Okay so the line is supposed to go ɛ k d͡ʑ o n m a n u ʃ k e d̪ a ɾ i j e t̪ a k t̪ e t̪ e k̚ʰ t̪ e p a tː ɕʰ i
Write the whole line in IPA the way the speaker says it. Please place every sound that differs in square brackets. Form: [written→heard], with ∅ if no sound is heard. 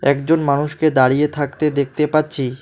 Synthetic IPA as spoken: ɛ k d͡ʑ o n m a n u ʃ k e d̪ a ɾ i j e [t̪→t̪ʰ] a k t̪ e [t̪→d̪] e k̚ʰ t̪ e p a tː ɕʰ i